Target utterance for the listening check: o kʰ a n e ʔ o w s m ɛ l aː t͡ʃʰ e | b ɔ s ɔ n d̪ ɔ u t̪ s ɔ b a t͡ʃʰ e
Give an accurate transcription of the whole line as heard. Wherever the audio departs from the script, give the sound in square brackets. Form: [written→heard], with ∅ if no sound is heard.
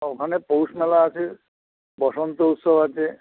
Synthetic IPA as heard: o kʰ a n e [ʔ→p] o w s m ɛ l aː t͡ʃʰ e | b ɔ s ɔ n [d̪→t̪] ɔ u t̪ s ɔ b a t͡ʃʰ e